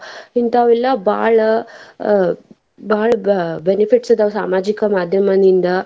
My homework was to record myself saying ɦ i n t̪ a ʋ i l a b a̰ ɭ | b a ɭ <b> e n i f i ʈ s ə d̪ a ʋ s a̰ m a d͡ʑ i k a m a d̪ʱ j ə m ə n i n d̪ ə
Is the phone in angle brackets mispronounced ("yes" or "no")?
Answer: no